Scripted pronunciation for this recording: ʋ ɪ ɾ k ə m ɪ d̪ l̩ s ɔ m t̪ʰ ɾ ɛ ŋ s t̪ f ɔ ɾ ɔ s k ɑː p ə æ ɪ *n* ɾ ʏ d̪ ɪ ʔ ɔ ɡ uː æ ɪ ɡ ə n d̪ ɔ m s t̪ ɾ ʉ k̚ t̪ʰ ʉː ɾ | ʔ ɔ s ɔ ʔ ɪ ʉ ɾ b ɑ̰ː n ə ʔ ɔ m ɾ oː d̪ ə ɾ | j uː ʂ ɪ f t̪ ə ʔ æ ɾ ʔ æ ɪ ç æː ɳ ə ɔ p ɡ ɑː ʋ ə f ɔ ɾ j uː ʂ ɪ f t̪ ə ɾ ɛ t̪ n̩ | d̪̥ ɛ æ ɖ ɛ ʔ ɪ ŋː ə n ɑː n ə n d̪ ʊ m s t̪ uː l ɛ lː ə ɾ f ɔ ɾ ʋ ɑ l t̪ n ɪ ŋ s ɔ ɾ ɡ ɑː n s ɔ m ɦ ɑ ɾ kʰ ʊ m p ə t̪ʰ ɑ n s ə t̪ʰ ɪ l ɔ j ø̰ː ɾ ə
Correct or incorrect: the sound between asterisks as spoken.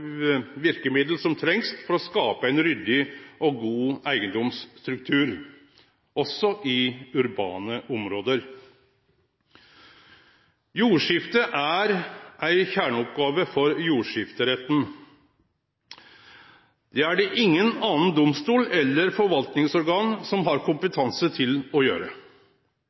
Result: correct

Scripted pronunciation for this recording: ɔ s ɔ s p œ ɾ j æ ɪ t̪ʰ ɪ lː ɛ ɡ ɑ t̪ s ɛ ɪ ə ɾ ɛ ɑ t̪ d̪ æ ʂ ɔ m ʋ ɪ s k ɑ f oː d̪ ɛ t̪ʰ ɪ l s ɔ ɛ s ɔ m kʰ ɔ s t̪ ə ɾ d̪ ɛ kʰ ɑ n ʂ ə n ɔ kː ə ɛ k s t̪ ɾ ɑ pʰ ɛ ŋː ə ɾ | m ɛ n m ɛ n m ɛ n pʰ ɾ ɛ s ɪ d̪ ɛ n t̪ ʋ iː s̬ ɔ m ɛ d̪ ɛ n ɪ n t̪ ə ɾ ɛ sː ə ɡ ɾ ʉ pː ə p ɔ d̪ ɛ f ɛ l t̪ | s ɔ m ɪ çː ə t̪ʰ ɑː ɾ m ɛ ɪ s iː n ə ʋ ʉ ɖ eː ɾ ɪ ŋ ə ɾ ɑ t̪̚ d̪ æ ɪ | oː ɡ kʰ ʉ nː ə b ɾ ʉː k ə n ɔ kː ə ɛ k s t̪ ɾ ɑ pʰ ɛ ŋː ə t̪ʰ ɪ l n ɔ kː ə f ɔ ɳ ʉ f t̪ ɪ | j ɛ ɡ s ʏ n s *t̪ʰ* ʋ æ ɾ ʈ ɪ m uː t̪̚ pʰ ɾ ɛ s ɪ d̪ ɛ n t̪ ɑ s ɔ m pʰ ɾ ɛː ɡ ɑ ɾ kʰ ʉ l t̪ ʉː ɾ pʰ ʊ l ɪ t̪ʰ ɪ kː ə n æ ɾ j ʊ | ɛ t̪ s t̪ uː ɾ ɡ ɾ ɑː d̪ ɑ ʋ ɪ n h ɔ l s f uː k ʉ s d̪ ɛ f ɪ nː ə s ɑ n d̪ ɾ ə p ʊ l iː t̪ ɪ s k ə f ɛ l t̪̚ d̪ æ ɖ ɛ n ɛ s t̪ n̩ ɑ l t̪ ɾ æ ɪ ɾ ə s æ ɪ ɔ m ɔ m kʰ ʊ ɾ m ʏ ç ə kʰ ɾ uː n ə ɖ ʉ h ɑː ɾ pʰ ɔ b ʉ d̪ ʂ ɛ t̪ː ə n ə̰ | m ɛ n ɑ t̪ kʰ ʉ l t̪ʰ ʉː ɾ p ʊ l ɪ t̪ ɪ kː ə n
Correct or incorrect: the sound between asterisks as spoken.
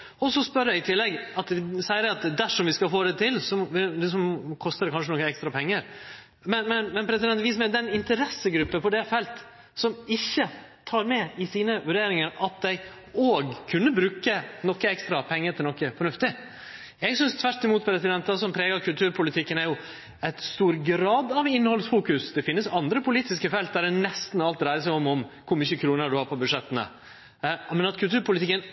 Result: correct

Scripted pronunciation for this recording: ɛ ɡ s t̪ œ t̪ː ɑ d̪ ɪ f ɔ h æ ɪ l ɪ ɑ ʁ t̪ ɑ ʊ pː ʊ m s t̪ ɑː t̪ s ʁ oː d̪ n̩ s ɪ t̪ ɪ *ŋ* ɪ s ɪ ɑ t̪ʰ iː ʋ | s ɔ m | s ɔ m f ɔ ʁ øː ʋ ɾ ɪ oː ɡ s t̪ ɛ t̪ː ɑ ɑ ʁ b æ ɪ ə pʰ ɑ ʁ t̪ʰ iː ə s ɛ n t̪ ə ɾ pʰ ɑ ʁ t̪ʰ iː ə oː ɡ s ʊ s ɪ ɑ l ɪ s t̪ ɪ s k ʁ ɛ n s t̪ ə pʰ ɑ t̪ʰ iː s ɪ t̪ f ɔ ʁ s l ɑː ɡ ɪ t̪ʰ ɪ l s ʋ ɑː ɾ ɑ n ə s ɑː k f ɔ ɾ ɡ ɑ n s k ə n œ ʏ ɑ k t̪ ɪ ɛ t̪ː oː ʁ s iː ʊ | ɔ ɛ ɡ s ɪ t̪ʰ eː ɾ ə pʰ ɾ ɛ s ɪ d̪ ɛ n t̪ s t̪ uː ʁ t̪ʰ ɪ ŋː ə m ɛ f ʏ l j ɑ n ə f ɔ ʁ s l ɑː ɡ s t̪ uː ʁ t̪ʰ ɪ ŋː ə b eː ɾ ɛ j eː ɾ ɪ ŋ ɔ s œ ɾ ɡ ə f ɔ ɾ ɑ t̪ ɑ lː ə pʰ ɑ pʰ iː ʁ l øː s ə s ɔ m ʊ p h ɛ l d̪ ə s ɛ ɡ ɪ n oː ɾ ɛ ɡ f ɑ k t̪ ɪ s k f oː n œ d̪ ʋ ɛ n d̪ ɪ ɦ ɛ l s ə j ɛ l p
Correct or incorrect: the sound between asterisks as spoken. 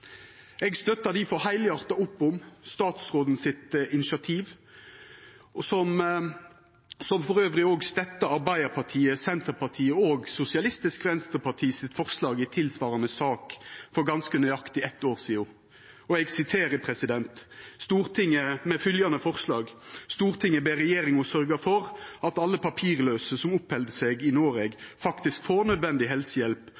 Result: incorrect: n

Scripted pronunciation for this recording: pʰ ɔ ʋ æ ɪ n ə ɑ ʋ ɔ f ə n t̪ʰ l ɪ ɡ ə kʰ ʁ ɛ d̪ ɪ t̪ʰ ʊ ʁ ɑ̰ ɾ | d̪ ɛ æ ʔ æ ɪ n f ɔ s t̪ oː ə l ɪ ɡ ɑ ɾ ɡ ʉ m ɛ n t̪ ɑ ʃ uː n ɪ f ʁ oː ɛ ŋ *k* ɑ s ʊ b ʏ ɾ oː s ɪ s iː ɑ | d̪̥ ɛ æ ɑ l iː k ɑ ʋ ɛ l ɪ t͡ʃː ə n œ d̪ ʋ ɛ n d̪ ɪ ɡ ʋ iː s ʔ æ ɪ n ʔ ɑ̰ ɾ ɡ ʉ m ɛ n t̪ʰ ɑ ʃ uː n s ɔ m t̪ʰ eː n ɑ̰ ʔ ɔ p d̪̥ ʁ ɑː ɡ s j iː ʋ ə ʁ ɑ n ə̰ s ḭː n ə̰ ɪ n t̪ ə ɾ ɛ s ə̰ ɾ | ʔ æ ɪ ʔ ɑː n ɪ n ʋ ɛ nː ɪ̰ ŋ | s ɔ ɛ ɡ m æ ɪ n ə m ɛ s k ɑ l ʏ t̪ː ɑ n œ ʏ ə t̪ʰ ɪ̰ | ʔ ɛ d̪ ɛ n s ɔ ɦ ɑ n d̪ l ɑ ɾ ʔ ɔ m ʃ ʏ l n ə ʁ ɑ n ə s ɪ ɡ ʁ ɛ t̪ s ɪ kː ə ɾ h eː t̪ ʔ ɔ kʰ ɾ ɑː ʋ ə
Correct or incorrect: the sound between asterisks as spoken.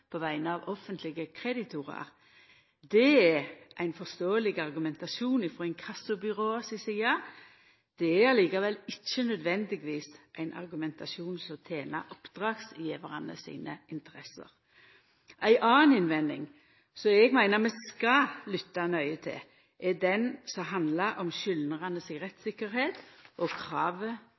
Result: incorrect: kʰ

